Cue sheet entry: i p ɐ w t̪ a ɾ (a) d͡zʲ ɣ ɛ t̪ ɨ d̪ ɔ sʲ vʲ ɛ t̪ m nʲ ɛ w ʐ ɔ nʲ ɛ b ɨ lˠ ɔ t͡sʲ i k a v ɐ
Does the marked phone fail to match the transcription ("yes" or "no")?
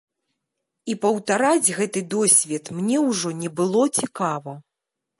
no